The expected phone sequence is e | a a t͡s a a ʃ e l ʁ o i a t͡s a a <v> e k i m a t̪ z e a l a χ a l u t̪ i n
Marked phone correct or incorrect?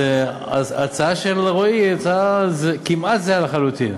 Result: incorrect